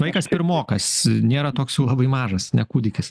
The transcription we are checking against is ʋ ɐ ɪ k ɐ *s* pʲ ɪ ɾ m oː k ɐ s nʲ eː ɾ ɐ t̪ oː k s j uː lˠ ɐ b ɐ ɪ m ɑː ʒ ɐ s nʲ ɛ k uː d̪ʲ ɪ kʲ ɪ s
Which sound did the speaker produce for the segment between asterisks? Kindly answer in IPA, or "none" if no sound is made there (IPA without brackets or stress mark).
s